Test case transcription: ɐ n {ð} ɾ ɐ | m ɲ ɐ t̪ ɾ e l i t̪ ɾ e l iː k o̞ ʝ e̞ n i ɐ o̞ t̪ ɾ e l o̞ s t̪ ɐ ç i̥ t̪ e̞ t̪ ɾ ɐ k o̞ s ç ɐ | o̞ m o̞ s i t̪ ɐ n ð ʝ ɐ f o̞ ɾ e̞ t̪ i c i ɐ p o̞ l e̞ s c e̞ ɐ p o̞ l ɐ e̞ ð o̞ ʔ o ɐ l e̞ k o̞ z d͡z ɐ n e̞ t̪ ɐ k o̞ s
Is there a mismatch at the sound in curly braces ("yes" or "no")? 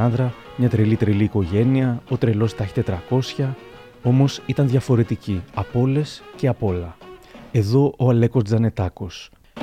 no